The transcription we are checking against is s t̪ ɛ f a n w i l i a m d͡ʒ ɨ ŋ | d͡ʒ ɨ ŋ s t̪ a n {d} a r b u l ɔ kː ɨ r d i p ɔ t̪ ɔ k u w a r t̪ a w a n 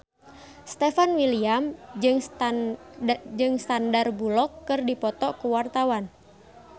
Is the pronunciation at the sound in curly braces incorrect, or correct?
correct